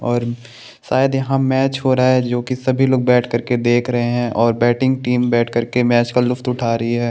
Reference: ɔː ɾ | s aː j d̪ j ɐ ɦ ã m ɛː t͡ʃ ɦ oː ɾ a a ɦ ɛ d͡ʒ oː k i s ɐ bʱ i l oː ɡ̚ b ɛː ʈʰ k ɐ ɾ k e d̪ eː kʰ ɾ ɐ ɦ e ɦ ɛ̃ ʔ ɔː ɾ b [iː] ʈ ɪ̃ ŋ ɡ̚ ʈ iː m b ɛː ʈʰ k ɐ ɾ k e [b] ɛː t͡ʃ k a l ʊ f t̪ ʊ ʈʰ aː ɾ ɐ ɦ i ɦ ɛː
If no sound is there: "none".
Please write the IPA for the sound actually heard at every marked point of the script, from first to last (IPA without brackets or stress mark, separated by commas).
ɛː, m